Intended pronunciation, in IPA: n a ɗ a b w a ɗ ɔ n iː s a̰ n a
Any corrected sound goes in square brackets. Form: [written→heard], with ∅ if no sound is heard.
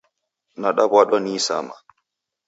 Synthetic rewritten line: n a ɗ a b w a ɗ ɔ n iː s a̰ [n→m] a